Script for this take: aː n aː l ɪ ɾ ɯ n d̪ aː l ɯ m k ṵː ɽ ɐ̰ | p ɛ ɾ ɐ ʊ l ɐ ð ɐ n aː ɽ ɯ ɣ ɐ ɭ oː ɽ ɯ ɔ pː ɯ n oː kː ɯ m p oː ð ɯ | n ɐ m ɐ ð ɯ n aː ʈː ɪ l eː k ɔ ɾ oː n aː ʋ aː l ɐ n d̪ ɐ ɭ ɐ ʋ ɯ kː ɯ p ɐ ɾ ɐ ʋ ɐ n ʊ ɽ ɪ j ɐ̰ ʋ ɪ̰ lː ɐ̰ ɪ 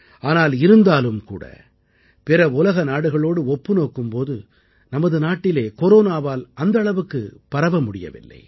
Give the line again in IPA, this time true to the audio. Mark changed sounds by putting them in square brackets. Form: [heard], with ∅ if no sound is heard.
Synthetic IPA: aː n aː l ɪ ɾ ɯ n d̪ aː l ɯ m k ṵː ɽ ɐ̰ | p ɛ ɾ ɐ ʊ l ɐ [ɣ] ɐ n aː ɽ ɯ ɣ ɐ ɭ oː ɽ ɯ ɔ pː ɯ n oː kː ɯ m p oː ð ɯ | n ɐ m ɐ ð ɯ n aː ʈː ɪ l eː k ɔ ɾ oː n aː ʋ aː l ɐ n d̪ ɐ ɭ ɐ ʋ ɯ kː ɯ p ɐ ɾ ɐ ʋ ɐ [m] ʊ ɽ ɪ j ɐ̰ ʋ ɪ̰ lː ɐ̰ ɪ

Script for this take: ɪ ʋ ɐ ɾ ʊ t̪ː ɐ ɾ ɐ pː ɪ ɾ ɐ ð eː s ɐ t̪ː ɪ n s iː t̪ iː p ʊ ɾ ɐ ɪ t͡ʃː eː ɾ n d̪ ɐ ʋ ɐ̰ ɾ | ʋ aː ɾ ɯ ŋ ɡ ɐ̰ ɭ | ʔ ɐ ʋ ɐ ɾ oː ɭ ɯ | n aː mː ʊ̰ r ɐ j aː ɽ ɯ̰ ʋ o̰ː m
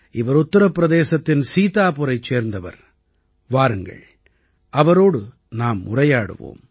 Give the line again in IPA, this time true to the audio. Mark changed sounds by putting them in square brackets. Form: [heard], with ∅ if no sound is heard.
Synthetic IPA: ɪ ʋ ɐ ɾ ʊ t̪ː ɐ ɾ ɐ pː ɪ ɾ ɐ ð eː s ɐ t̪ː ɪ n s iː t̪ [aː] p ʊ ɾ ɐ ɪ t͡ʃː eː ɾ n d̪ ɐ ʋ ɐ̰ ɾ | ʋ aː ɾ ɯ ŋ ɡ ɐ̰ ɭ | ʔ ɐ ʋ ɐ ɾ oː [ɽ] ɯ | n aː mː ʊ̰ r ɐ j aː ɽ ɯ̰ ʋ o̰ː m

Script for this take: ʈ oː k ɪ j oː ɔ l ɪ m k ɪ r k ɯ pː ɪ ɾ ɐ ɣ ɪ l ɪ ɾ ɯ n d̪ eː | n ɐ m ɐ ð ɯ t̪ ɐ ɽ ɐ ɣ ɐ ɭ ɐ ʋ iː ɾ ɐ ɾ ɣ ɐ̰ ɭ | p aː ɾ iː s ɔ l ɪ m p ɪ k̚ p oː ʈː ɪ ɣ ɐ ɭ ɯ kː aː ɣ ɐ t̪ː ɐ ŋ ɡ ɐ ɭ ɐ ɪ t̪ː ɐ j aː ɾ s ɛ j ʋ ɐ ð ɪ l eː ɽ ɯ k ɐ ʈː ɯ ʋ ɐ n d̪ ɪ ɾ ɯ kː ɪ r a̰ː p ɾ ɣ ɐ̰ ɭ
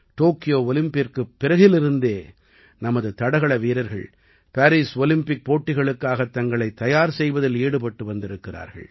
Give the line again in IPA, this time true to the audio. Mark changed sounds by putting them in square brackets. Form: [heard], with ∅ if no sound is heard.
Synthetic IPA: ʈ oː k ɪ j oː ɔ l ɪ m [p] ɪ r k ɯ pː ɪ ɾ ɐ ɣ ɪ l ɪ ɾ ɯ n d̪ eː | n ɐ m ɐ ð ɯ t̪ ɐ ɽ ɐ ɣ ɐ ɭ ɐ ʋ iː ɾ ɐ ɾ ɣ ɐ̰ ɭ | p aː ɾ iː s ɔ l ɪ m p ɪ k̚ p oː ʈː ɪ ɣ ɐ ɭ ɯ kː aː ɣ ɐ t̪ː ɐ ŋ ɡ ɐ ɭ ɐ ɪ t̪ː ɐ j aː ɾ s ɛ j ʋ ɐ ð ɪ l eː ɽ ɯ [p] ɐ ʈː ɯ ʋ ɐ n d̪ ɪ ɾ ɯ kː ɪ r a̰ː [∅] ɾ ɣ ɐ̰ ɭ

